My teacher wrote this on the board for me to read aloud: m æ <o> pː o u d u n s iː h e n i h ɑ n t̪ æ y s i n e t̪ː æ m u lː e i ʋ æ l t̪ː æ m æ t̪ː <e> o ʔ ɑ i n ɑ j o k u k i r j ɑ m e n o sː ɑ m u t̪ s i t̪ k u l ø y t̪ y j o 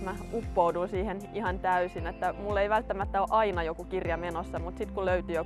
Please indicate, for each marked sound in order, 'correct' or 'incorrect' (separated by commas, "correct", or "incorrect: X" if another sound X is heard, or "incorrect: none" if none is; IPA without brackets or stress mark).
incorrect: u, incorrect: æ